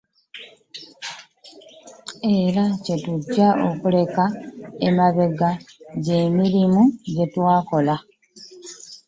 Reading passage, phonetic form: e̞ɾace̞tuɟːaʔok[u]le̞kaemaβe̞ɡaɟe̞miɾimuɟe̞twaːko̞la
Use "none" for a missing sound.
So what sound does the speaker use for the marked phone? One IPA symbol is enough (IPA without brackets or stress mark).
u